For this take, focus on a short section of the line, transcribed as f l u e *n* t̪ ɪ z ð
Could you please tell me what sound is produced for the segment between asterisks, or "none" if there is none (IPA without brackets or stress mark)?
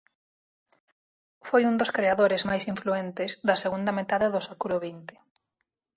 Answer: n